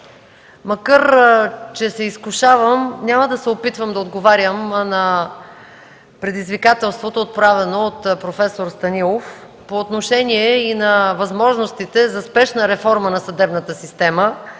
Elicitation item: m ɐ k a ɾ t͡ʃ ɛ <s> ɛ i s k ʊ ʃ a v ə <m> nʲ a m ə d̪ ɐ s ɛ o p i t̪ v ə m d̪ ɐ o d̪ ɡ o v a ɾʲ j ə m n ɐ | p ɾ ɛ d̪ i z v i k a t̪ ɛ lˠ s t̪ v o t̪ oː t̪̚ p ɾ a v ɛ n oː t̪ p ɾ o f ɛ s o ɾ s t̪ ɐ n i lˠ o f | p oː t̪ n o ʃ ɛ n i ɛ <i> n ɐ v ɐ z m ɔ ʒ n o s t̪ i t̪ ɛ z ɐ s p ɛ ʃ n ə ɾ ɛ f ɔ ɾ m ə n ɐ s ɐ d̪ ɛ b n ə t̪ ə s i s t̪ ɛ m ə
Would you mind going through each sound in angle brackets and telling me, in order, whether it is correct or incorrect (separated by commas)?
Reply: correct, correct, correct